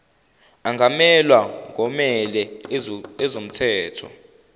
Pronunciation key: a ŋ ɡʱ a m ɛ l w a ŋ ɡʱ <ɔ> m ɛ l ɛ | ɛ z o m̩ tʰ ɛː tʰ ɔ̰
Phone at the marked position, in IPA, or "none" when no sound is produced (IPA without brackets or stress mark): ɔ